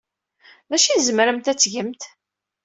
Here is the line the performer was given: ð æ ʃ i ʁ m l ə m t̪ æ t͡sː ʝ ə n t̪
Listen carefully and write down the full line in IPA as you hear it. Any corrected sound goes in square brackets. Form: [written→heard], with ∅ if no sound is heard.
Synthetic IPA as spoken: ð æ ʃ i [ʁ→z] m [l→ɾ] ə m t̪ æ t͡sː ʝ ə [n→m] t̪